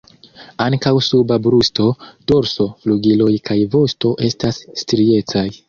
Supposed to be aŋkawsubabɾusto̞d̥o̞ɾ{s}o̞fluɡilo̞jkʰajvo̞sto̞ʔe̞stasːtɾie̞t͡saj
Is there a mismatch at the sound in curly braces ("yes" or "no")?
no